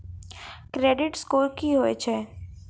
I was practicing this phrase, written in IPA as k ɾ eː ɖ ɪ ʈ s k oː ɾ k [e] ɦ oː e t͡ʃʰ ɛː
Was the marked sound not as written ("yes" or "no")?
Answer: yes